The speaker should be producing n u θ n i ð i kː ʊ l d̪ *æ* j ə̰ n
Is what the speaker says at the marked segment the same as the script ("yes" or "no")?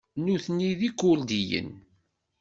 no